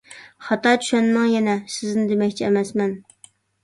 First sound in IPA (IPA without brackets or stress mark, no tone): χ